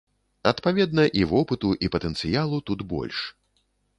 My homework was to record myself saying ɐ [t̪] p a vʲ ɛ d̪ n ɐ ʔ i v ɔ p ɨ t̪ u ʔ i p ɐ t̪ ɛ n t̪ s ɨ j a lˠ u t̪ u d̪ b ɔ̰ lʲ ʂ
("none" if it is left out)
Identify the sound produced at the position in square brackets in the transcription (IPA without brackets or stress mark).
t̪